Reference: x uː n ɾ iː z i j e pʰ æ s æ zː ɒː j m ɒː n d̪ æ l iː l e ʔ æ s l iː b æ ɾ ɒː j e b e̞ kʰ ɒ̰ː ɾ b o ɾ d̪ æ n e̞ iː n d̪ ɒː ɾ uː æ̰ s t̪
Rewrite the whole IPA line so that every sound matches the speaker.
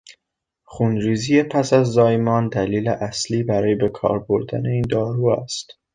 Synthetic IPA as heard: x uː n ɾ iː z i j e pʰ æ s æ zː ɒː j m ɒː n d̪ æ l iː l e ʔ æ s l iː b æ ɾ ɒː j e b e̞ kʰ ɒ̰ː ɾ b o ɾ d̪ æ n e̞ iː n d̪ ɒː ɾ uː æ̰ s t̪